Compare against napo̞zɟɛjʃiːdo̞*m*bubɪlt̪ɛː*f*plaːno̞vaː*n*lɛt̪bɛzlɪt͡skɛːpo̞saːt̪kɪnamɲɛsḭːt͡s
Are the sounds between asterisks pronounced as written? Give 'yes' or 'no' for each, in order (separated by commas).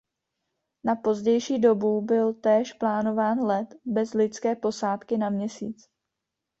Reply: no, no, yes